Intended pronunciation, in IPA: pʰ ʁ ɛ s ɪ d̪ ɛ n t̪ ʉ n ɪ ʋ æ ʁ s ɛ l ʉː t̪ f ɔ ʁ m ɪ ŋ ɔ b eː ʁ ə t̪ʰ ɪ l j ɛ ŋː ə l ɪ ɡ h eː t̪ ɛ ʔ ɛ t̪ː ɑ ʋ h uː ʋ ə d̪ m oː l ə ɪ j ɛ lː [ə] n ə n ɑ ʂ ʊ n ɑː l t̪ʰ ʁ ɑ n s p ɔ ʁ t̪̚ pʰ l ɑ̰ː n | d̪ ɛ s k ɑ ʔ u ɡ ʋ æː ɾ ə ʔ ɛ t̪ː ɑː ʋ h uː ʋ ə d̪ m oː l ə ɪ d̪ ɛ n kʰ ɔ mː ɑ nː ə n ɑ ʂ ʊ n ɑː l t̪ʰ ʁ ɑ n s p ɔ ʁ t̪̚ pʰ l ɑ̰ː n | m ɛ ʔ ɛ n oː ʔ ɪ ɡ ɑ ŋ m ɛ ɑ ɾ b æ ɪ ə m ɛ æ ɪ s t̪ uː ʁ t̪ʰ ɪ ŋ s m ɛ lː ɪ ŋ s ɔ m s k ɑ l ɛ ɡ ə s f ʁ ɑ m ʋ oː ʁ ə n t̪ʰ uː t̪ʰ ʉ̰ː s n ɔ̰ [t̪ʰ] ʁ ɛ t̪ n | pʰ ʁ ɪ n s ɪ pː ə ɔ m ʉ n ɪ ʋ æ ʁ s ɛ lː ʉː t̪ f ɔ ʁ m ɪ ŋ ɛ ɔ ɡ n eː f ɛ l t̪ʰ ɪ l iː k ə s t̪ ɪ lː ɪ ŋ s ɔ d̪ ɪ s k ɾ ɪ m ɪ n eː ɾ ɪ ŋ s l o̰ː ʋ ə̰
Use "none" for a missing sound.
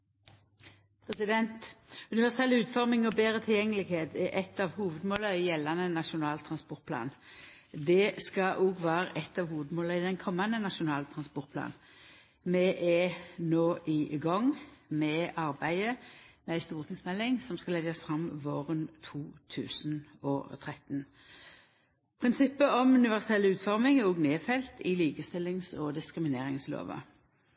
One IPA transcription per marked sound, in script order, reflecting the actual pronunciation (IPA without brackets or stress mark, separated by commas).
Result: ɑ, t̪ʰ